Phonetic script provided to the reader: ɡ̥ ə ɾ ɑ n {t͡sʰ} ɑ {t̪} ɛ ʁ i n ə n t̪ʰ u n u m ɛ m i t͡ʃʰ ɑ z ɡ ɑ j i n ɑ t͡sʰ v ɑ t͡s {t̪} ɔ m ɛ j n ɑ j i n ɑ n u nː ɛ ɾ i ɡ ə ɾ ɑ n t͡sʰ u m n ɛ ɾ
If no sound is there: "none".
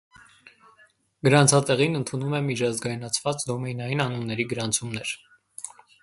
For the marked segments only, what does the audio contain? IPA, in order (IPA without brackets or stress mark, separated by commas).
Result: t͡sʰ, t̪, d̪